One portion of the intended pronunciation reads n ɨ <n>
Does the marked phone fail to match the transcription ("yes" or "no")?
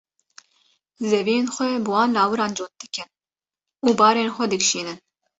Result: no